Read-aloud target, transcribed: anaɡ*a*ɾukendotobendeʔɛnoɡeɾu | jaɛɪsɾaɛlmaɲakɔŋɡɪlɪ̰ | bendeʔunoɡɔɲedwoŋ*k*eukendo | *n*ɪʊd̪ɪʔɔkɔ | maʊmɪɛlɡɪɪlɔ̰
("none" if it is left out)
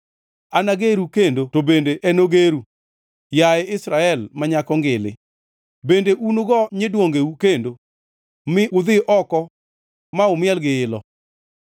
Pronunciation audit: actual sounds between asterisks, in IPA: e, ɡ, m

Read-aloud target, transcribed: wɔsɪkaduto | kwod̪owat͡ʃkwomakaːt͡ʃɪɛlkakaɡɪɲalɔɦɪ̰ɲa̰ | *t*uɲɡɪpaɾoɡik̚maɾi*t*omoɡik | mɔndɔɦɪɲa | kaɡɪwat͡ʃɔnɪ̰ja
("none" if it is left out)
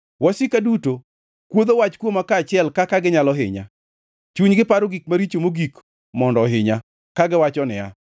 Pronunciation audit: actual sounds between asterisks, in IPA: t͡ʃ, t͡ʃ

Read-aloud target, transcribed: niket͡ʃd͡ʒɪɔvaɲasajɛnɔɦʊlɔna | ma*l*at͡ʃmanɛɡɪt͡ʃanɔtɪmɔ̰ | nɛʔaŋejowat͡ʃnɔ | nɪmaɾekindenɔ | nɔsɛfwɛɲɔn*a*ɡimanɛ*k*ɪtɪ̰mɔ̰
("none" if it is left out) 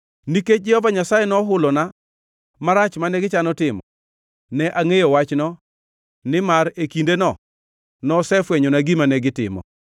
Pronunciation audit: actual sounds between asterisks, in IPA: ɾ, a, ɡ

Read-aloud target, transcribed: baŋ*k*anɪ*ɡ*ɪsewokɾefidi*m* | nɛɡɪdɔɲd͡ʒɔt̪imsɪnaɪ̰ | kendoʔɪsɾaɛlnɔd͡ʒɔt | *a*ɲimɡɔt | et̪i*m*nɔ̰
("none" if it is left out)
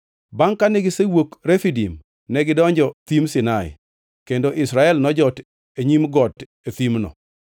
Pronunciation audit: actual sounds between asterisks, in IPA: k, ɡ, m, e, m

